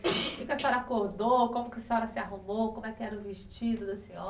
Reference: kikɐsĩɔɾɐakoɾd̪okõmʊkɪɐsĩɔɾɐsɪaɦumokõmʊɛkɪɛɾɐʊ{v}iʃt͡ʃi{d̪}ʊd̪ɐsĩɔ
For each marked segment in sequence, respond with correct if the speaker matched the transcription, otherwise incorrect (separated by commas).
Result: correct, correct